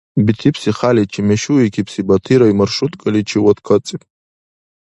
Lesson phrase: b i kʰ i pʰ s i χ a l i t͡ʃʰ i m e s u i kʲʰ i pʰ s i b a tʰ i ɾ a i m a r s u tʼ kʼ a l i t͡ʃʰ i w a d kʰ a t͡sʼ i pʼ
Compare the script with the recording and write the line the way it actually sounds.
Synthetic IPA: b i tʰ i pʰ s i χ a l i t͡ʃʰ i m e ʃ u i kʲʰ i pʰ s i b a tʰ i ɾ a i m a r ʂ u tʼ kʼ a l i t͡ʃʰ i w a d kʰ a t͡sʼ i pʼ